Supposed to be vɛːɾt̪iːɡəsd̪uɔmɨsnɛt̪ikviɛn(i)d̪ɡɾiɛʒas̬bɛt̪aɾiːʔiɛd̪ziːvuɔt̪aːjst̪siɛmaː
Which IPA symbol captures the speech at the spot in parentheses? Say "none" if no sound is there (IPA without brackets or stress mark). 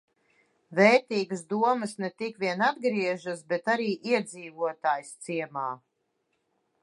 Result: a